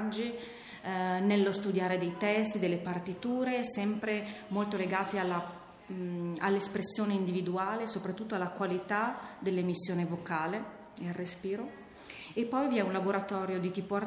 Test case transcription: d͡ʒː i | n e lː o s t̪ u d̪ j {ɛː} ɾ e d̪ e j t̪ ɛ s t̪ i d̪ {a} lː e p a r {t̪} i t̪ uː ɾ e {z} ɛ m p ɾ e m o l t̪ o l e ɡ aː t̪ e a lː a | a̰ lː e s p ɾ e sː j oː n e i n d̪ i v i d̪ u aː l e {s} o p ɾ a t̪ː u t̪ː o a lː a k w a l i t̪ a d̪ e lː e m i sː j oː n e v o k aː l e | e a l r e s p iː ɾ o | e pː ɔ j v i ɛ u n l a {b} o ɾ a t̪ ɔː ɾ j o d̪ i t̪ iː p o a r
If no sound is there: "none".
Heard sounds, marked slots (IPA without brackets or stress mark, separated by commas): aː, e, t̪, s, s, b